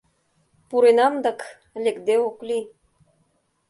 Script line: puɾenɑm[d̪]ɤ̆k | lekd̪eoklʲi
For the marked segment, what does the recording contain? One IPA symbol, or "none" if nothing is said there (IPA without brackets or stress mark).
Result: d̪